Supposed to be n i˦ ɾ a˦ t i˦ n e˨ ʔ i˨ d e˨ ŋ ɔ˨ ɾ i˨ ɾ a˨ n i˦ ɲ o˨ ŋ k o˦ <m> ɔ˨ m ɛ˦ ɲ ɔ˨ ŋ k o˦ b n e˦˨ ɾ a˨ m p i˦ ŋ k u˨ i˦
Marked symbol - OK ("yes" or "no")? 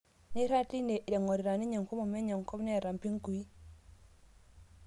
yes